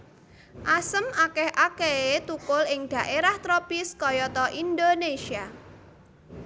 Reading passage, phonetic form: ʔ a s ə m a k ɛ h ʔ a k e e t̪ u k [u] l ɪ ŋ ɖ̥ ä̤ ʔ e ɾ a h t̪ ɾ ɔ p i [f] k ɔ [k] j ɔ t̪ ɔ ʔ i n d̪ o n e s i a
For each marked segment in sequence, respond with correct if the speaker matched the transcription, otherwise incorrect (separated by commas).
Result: incorrect, incorrect, incorrect